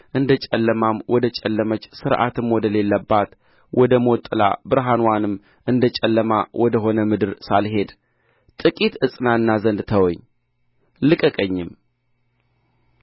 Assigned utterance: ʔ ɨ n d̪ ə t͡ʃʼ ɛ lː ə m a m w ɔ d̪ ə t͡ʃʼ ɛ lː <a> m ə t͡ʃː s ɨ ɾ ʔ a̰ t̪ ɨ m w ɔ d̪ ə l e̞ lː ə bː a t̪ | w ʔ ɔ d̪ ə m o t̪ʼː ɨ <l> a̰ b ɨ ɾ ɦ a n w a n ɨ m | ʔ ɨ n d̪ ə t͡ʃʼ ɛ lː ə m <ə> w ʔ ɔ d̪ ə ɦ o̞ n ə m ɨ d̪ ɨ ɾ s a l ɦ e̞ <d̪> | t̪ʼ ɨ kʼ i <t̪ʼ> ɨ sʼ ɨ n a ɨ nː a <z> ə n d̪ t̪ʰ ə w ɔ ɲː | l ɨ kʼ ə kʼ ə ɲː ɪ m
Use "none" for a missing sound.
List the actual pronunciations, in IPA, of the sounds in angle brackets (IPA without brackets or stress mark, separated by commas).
ə, l, a, d̪, t̪, z